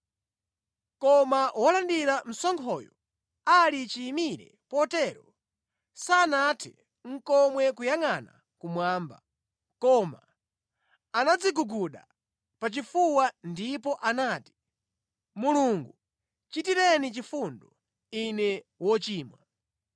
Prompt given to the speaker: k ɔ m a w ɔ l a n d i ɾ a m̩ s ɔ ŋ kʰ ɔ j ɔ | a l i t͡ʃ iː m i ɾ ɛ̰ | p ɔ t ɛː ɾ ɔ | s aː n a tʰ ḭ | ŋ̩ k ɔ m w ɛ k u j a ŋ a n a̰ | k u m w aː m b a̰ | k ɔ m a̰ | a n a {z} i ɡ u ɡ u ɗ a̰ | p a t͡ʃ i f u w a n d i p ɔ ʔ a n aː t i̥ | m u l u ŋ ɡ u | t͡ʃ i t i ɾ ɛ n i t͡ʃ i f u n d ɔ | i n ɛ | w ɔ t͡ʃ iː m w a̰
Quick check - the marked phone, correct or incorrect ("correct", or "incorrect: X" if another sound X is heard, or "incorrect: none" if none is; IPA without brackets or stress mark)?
incorrect: d͡z